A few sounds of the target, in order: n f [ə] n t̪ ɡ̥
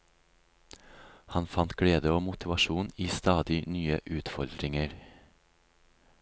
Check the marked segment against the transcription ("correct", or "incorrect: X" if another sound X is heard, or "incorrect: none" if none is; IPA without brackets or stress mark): incorrect: ɑ